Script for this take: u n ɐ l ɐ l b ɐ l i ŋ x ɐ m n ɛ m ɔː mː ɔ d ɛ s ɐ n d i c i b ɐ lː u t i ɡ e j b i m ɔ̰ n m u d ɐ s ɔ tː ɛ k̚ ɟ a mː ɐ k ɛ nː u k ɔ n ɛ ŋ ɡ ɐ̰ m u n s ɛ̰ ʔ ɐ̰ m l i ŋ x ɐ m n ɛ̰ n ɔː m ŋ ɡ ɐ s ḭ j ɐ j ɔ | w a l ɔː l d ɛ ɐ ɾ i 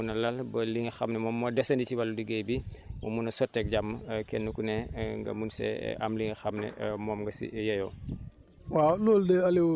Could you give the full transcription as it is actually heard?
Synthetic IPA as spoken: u n ɐ l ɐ l b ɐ l i ŋ x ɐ m n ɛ m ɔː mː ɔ d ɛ s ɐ n d i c i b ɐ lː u d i ɡ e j b i m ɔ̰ m u n ɐ s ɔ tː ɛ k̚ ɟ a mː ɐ k ɛ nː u k u n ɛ ŋ ɡ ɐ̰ m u n s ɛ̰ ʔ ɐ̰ m l i ŋ x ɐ m n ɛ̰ m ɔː m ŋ ɡ ɐ s ḭ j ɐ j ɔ | w a l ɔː l d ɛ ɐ l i